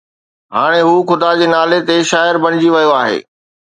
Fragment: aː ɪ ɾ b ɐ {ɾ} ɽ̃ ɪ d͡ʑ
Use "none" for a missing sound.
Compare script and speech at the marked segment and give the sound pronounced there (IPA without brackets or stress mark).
none